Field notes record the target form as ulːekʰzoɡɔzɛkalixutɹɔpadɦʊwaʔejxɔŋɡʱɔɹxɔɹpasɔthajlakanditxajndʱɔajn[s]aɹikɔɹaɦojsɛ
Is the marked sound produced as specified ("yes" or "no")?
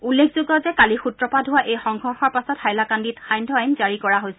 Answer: no